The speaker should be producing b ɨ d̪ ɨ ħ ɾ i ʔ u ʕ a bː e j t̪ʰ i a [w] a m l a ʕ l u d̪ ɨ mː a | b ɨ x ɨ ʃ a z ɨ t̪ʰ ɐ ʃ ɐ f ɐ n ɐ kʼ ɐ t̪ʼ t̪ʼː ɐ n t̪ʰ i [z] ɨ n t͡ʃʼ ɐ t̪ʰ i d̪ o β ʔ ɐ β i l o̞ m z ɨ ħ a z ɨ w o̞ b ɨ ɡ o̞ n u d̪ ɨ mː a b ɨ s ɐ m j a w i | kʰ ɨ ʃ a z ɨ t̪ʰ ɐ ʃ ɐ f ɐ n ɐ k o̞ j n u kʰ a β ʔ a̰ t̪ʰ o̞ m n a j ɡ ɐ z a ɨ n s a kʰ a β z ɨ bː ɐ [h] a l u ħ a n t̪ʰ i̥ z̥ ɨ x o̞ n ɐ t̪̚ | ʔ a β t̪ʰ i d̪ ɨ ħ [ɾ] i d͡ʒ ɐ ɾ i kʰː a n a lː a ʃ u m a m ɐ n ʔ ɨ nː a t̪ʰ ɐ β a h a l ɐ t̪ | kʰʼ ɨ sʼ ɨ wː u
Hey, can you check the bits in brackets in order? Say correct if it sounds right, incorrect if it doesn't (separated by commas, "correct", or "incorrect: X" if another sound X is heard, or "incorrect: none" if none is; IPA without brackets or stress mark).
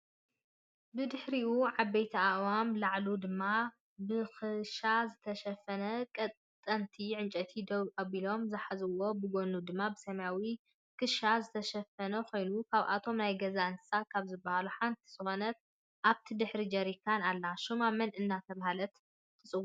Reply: correct, incorrect: ʕ, correct, correct